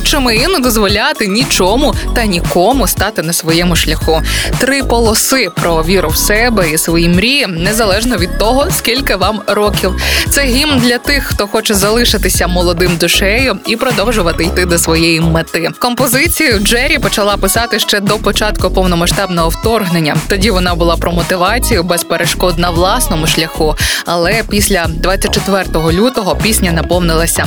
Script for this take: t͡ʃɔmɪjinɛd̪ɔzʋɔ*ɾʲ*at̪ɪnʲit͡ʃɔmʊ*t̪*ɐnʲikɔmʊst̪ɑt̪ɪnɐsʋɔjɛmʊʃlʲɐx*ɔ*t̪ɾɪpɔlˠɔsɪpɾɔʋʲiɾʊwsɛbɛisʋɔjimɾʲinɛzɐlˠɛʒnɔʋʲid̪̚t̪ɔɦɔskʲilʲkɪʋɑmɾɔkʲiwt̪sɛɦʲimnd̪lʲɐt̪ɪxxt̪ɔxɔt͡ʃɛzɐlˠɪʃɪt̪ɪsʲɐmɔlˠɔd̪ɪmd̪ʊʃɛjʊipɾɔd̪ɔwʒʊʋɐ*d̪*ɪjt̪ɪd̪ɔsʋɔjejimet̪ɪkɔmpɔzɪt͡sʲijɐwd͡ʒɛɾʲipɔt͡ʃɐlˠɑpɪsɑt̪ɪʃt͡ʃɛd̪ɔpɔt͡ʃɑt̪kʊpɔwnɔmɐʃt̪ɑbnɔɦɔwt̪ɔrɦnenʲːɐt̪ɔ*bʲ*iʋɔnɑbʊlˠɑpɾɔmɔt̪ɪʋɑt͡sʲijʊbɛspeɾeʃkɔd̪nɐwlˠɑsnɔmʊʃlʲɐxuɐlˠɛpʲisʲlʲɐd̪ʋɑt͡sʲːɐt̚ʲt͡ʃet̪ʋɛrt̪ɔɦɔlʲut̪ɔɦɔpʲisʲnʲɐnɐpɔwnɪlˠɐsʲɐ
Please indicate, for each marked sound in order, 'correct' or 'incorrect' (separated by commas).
incorrect, correct, incorrect, incorrect, incorrect